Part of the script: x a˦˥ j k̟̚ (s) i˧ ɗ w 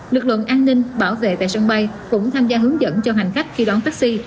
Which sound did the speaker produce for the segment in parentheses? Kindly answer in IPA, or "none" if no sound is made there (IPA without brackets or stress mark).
x